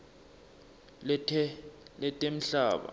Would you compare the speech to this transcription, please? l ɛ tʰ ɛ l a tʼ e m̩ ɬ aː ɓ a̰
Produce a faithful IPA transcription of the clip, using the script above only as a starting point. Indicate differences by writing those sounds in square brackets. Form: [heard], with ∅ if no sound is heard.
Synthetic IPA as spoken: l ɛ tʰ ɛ l [ɛ] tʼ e m̩ ɬ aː ɓ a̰